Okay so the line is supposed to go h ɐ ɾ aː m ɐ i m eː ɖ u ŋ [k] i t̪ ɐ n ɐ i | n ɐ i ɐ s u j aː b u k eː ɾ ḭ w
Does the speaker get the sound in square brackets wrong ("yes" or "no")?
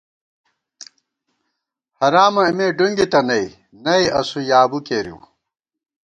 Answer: yes